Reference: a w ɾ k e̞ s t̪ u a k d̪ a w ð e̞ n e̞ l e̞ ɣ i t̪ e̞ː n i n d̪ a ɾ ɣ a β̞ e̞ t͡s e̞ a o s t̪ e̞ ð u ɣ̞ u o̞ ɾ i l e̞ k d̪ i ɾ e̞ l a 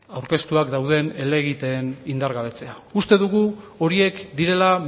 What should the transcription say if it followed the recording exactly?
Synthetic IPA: a w ɾ k e̞ s t̪ u a k d̪ a w ð e̞ n e̞ l e̞ ɣ i t̪ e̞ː n i n d̪ a ɾ ɣ a β̞ e̞ t͡s e̞ a u s t̪ e̞ ð u ɣ̞ u o̞ ɾ i e̞ k d̪ i ɾ e̞ l a